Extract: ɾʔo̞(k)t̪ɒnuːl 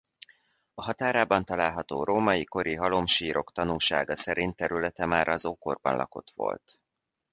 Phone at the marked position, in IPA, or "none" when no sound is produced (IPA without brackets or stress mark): k